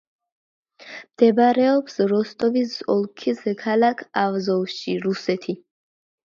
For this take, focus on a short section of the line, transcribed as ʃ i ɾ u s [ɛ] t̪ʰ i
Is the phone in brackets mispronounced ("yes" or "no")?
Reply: no